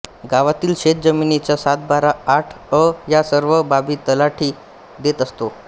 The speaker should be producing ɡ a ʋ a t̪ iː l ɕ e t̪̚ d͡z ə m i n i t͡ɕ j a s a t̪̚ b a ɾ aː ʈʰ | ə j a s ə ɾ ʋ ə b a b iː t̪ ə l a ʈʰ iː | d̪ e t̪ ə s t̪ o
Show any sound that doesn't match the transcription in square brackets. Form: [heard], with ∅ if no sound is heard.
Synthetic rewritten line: ɡ a ʋ a t̪ iː l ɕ e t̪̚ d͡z ə m i n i t͡ɕ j a s a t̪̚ b a ɾ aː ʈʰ | ə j a s ə ɾ ʋ ə b a b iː t̪ ə l a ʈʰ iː | d̪ e t̪ ə s t̪ o